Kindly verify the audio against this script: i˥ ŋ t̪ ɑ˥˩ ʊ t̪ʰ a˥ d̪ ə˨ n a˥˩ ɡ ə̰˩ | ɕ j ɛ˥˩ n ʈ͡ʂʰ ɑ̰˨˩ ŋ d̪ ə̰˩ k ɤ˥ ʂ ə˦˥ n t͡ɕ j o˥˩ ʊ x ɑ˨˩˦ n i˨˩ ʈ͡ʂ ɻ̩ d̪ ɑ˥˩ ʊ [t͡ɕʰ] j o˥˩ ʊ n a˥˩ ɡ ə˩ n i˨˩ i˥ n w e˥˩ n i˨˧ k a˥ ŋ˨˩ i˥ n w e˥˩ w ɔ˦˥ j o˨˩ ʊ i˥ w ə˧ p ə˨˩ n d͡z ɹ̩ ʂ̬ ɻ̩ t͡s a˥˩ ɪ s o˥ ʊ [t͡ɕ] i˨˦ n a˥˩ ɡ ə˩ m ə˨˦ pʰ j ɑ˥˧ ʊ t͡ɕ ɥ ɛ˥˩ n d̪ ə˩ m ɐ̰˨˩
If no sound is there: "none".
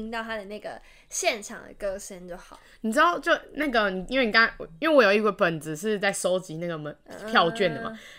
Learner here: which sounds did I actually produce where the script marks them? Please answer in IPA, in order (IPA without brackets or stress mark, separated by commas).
t͡ɕ, t͡ɕ